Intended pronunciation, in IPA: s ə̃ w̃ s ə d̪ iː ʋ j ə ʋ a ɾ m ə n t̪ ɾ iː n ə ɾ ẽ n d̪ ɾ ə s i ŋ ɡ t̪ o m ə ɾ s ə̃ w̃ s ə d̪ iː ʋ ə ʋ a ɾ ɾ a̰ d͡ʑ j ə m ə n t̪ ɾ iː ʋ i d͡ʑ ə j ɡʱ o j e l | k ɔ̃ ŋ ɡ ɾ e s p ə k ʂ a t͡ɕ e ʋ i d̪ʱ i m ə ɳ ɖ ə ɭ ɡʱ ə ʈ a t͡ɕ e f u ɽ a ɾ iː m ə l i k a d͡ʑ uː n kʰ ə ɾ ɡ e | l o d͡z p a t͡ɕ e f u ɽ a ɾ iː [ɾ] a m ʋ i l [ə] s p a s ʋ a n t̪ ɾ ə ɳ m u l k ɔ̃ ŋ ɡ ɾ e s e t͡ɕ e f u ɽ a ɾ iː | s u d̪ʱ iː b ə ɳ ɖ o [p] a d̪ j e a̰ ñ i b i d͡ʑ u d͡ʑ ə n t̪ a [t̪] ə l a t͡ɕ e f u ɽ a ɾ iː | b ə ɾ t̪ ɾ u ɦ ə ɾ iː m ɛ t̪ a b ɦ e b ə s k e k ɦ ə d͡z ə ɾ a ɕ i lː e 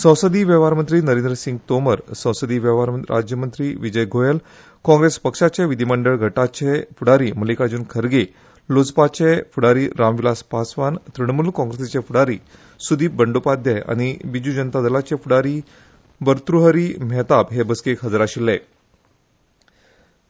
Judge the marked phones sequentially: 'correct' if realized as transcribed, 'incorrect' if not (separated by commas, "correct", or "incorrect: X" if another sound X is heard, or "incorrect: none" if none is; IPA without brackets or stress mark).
correct, incorrect: a, correct, incorrect: d̪